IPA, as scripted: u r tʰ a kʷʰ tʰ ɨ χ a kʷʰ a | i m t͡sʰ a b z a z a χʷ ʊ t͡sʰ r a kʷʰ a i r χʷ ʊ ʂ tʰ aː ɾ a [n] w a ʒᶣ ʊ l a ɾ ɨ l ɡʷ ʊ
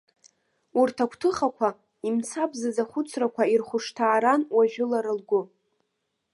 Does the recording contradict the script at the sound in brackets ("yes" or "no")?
no